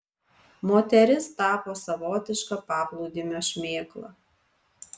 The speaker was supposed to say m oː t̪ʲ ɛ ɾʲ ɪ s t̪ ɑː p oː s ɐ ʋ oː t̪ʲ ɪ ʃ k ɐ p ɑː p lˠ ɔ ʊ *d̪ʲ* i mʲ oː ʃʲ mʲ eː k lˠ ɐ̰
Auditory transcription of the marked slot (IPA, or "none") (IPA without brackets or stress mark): d̪ʲ